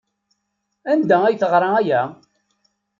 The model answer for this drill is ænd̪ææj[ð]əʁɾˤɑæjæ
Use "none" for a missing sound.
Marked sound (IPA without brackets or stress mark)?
θ